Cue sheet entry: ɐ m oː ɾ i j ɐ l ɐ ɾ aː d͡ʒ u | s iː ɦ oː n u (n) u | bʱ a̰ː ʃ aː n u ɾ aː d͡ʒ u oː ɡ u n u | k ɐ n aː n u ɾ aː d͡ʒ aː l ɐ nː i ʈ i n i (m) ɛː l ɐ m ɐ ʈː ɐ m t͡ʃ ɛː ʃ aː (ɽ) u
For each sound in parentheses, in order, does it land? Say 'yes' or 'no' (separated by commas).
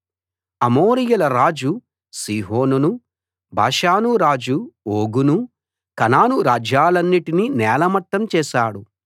yes, no, yes